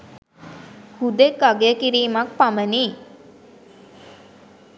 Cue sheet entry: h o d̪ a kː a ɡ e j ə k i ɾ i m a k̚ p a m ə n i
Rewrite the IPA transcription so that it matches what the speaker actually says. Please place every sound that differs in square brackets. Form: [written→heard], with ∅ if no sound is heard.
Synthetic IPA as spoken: h [o→u] d̪ [a→e] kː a ɡ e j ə k i ɾ [i→iː] m a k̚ p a m ə n i